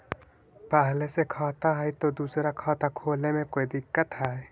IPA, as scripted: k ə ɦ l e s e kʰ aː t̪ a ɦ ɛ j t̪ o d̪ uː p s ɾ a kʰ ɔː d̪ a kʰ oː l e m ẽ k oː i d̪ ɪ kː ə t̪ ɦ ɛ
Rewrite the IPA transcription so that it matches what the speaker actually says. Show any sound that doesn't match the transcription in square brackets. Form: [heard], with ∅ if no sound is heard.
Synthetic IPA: [p] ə ɦ l e s e kʰ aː t̪ a ɦ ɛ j t̪ o d̪ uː [∅] s ɾ a kʰ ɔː [t̪] a kʰ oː l e m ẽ k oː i d̪ ɪ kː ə t̪ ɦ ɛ